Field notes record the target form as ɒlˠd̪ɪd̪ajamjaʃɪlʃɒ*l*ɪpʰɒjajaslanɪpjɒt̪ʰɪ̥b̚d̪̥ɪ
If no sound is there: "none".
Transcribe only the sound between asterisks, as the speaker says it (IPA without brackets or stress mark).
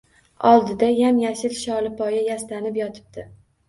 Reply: l